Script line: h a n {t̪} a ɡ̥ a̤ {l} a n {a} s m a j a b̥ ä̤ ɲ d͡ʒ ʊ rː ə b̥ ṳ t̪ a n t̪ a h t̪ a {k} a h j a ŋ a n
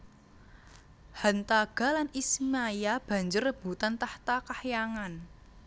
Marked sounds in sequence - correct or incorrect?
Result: correct, correct, incorrect, correct

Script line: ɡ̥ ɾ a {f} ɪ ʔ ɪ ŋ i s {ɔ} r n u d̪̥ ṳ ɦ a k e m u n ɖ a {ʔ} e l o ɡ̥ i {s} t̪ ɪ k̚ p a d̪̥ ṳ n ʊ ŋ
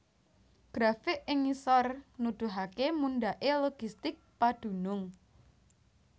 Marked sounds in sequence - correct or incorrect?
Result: correct, correct, correct, correct

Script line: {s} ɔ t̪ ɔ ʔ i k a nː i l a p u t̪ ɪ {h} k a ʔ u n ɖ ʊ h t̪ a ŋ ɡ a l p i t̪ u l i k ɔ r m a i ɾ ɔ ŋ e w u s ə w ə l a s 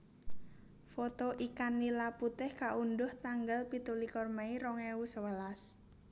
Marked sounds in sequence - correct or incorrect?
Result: incorrect, correct

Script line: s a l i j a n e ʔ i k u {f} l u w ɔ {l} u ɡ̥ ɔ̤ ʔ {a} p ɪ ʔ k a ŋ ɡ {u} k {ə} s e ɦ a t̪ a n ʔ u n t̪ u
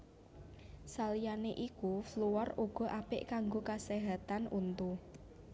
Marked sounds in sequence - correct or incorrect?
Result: correct, incorrect, correct, incorrect, incorrect

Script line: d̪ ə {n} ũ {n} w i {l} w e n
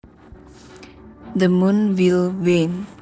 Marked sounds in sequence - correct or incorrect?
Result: incorrect, correct, correct

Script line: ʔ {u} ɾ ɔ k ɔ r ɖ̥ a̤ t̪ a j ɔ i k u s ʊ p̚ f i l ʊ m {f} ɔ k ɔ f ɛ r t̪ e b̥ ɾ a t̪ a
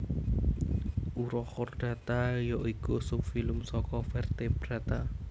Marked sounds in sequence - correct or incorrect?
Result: correct, incorrect

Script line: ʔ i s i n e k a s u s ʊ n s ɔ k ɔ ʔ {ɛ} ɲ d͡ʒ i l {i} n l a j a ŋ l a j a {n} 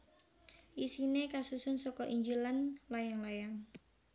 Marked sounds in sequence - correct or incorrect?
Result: incorrect, incorrect, incorrect

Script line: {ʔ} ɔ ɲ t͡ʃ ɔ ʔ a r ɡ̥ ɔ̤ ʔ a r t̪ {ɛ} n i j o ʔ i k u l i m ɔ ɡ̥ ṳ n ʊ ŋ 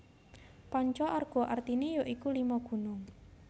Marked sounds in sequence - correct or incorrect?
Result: incorrect, incorrect

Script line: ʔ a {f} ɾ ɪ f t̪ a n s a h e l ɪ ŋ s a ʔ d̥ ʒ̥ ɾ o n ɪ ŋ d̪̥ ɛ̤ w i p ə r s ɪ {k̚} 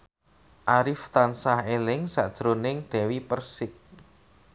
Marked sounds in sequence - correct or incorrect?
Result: incorrect, correct

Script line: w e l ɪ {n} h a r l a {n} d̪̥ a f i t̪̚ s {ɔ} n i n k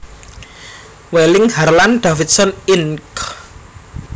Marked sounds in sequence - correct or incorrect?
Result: incorrect, correct, correct

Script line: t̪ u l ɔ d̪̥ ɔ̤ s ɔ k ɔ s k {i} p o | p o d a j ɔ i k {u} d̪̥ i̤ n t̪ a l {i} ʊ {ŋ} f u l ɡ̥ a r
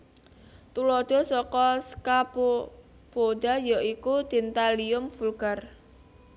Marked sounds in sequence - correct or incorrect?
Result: incorrect, correct, correct, incorrect

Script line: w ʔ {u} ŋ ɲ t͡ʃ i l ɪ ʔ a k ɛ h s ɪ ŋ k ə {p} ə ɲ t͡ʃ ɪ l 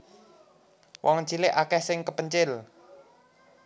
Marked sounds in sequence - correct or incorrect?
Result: incorrect, correct

